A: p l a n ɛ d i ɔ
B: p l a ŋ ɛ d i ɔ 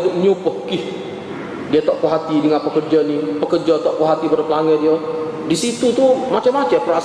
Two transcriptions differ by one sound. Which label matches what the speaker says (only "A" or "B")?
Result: B